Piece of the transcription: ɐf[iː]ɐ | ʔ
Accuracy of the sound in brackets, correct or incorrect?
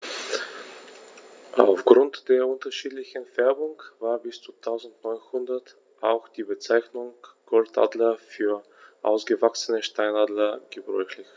incorrect